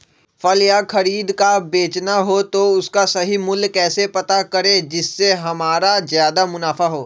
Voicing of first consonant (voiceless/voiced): voiceless